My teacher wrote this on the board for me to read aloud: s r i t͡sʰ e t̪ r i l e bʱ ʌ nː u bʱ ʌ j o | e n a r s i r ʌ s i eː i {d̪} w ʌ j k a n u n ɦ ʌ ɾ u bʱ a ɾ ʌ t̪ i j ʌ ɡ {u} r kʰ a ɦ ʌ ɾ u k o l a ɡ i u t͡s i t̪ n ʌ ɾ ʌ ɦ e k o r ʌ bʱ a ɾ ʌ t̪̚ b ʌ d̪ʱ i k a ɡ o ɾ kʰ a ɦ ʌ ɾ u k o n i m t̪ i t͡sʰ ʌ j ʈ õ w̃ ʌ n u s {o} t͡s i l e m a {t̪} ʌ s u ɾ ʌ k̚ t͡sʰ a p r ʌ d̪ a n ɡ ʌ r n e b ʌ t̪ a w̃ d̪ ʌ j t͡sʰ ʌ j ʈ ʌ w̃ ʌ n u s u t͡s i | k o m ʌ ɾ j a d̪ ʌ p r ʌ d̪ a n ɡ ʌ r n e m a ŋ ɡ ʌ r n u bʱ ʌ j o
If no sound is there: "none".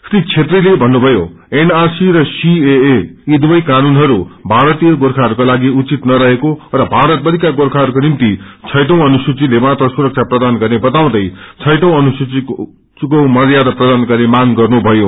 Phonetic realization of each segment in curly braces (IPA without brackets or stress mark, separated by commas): d̪, o, u, t̪